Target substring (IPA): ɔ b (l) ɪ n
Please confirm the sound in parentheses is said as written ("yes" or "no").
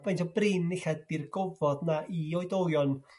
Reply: no